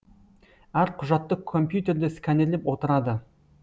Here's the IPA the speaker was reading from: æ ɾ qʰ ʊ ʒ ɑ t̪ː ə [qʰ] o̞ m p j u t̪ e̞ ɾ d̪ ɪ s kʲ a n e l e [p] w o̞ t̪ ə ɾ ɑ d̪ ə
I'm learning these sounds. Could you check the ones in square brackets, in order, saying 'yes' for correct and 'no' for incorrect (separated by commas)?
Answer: no, yes